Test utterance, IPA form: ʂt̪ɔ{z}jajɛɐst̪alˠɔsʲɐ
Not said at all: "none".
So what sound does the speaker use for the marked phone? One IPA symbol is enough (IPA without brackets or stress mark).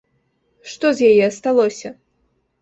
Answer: z